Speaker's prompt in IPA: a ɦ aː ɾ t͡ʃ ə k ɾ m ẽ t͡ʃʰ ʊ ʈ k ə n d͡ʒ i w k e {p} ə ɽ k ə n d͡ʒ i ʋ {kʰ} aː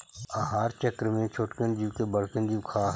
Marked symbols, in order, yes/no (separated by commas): no, yes